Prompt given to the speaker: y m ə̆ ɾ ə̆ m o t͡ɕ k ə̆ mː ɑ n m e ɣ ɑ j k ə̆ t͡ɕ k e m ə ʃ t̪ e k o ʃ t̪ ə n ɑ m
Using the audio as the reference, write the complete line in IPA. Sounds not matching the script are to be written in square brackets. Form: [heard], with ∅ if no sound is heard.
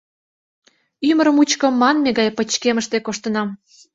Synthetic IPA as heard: y m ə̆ ɾ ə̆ m [u] t͡ɕ k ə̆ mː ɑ n m e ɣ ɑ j [p] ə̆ t͡ɕ k e m ə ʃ t̪ e k o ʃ t̪ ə n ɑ m